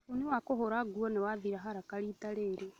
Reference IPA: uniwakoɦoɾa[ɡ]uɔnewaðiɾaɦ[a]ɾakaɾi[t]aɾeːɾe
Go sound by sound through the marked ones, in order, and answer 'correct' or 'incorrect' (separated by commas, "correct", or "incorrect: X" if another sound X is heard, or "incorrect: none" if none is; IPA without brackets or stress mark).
correct, correct, correct